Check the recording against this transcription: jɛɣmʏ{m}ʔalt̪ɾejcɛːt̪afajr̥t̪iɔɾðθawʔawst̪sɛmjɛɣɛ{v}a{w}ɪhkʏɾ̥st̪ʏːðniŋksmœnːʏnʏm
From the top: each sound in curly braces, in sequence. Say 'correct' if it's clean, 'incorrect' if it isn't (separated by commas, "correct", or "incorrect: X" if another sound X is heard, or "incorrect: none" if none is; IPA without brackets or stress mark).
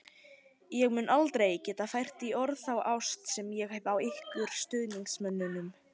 incorrect: n, correct, correct